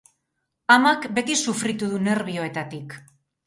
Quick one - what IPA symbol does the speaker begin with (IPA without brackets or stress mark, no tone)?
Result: a